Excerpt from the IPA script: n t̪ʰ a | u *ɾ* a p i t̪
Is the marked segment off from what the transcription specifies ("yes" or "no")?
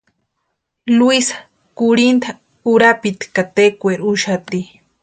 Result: no